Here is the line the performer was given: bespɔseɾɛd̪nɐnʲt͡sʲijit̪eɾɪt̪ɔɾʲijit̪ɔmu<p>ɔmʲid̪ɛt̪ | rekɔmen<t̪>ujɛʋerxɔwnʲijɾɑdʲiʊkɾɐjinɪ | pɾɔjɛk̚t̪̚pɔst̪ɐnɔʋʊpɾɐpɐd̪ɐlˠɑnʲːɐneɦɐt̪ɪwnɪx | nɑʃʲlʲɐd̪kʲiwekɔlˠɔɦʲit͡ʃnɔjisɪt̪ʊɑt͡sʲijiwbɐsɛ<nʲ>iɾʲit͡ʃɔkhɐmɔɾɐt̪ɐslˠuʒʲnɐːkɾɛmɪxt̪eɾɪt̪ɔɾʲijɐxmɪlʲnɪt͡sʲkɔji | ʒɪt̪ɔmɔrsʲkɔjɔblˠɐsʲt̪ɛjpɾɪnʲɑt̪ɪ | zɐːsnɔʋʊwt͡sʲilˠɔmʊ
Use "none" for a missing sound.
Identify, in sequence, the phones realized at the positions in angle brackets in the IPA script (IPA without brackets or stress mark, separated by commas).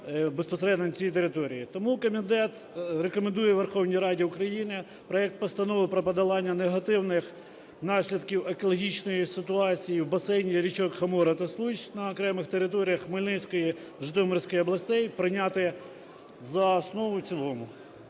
k, d̪, nʲ